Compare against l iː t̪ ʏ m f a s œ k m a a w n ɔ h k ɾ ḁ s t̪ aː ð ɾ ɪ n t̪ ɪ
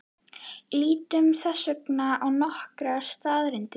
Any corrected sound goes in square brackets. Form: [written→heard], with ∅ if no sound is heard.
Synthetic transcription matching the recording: l iː t̪ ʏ m [f→θ] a s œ k [m→n] a a w n ɔ h k ɾ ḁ s t̪ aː ð ɾ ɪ n t̪ ɪ